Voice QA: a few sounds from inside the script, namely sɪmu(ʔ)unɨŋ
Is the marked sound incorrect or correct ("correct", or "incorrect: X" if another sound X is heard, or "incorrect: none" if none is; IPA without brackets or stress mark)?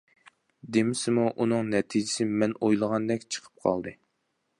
correct